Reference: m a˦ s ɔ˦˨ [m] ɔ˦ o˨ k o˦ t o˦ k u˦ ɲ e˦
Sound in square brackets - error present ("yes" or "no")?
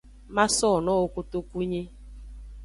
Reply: yes